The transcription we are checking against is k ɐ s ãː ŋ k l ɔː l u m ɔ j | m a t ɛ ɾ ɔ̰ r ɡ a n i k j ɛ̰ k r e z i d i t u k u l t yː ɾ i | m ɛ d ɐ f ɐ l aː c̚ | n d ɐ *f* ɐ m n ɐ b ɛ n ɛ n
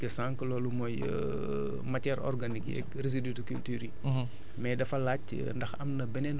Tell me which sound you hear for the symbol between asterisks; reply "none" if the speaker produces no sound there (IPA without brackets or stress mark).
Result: x